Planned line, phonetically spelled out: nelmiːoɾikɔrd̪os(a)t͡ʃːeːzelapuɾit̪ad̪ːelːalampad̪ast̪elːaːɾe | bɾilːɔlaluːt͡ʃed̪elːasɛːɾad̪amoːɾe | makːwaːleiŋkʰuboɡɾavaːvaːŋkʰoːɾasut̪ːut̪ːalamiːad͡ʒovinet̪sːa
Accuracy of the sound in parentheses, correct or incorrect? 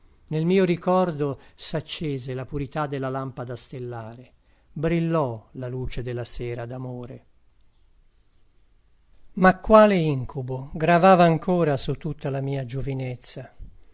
correct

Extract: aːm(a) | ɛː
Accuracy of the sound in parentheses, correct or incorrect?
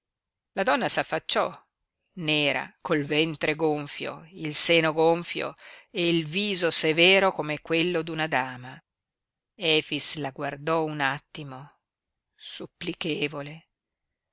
correct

